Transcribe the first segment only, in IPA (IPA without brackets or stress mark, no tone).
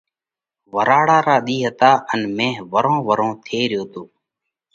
ʋ